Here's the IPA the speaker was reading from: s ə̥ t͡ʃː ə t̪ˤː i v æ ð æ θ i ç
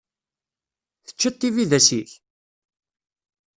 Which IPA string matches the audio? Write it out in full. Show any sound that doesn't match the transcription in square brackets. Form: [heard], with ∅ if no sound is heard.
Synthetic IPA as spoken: [θ] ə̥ t͡ʃː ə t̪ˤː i v [i] ð æ [s] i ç